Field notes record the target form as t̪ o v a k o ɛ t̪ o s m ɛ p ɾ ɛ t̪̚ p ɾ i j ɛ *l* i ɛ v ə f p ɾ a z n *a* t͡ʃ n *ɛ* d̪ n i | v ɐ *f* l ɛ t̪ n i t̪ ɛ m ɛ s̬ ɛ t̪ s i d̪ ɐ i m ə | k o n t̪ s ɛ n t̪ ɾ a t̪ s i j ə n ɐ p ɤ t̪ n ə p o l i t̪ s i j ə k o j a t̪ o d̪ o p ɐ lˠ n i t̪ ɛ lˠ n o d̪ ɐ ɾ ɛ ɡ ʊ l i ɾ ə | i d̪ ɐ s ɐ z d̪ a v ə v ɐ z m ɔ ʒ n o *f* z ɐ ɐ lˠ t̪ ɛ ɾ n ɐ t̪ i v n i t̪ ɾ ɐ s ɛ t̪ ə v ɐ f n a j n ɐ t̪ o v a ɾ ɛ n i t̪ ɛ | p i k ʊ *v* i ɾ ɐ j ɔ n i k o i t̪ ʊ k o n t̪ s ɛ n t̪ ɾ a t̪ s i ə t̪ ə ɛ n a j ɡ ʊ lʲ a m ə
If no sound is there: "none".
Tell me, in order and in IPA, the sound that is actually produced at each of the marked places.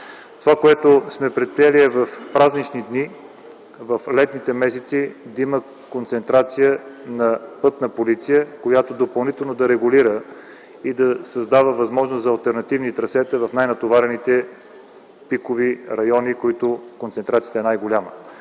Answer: l, i, i, f, s, v

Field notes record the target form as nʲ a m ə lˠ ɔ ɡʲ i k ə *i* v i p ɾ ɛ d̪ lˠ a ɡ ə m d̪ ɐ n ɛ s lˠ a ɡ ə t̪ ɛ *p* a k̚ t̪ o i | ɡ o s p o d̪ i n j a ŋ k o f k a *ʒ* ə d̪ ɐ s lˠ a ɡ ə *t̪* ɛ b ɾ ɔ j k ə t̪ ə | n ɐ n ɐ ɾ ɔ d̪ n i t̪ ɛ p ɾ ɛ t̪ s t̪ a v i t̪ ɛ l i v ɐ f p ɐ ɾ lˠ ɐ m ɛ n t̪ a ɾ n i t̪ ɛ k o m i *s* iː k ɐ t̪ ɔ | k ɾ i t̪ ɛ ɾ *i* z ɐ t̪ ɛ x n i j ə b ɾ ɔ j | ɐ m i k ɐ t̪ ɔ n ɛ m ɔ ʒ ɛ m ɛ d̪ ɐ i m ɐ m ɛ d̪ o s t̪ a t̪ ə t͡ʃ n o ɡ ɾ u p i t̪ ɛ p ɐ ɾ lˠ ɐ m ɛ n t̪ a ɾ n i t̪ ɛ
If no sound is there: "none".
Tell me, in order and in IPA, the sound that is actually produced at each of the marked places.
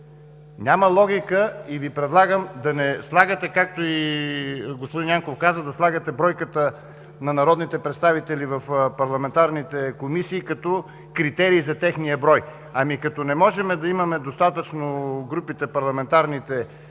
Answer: i, k, z, t̪, s, iː

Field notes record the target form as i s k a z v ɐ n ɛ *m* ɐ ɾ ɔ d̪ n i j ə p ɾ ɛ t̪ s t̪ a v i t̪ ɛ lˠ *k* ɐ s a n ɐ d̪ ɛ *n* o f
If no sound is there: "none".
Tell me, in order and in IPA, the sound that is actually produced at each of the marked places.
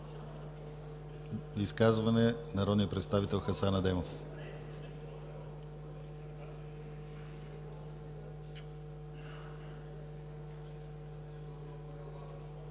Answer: n, x, m

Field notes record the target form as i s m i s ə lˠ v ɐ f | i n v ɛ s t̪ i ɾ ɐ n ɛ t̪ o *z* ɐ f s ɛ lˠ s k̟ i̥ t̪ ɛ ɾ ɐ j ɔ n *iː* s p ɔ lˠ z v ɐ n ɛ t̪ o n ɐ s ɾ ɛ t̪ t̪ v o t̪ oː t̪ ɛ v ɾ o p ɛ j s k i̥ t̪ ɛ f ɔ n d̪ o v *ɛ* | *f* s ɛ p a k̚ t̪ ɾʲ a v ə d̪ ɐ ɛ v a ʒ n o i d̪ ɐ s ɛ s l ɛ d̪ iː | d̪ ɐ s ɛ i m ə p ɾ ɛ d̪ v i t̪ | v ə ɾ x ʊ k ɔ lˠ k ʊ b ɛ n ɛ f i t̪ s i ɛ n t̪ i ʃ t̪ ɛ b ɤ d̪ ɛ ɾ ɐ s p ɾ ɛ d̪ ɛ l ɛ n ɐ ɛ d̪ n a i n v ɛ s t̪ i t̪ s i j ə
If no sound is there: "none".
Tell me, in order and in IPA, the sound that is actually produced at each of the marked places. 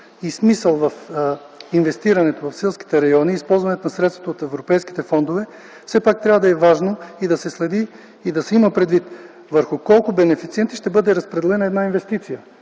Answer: v, iː, ɛ, f

